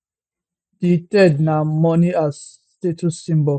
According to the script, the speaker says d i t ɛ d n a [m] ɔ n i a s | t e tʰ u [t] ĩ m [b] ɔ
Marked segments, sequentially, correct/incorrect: correct, incorrect: s, correct

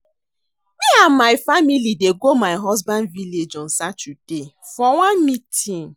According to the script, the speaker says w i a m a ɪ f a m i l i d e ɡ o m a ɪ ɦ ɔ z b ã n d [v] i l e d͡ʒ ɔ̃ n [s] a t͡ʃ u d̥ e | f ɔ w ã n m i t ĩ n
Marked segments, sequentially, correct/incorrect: correct, correct

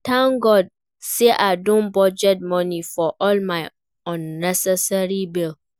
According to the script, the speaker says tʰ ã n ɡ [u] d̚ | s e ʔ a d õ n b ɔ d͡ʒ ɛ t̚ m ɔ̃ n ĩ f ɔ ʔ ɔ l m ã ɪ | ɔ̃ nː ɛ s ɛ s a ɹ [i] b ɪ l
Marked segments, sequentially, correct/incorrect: incorrect: ɔ, correct

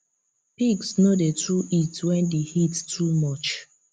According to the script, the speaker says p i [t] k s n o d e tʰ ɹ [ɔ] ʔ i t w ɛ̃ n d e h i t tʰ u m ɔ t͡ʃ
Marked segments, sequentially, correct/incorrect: incorrect: none, incorrect: u

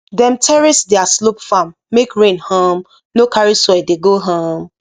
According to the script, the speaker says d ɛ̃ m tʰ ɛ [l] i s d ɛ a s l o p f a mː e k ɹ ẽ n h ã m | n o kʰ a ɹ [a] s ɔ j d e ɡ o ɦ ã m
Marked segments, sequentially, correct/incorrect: incorrect: ɹ, incorrect: i

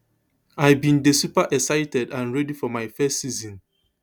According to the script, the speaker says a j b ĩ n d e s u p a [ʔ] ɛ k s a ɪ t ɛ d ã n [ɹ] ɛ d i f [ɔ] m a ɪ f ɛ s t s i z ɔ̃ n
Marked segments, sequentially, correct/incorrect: correct, correct, correct

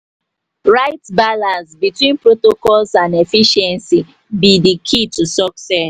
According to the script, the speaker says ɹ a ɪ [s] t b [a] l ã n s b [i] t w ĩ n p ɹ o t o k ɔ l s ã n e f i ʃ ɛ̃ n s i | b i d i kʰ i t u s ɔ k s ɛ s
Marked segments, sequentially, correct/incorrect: incorrect: none, correct, correct

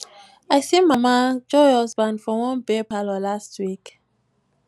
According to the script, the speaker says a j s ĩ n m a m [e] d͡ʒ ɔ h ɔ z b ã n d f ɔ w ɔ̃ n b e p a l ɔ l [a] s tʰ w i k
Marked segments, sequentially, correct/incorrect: incorrect: a, correct

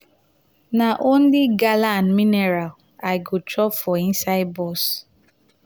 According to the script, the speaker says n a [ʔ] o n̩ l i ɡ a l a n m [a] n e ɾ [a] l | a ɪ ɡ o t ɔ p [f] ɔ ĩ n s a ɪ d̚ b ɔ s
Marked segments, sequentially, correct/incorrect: correct, incorrect: i, correct, correct

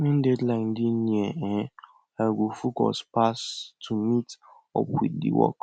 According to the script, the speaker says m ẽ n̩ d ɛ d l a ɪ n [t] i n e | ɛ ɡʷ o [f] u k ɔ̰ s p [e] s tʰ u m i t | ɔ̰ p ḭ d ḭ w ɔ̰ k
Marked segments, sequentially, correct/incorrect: incorrect: d, correct, incorrect: a

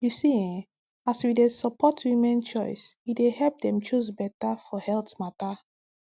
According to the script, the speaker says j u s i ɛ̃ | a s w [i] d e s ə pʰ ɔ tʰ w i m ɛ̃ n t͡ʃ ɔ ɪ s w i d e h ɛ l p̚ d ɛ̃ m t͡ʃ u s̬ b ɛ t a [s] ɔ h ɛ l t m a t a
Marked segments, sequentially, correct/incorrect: correct, incorrect: f

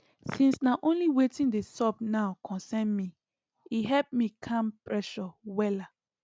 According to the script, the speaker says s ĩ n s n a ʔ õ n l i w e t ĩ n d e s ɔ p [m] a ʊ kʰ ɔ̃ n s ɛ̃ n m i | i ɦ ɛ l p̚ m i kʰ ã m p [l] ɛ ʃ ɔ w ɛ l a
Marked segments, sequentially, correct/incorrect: incorrect: n, incorrect: ɹ

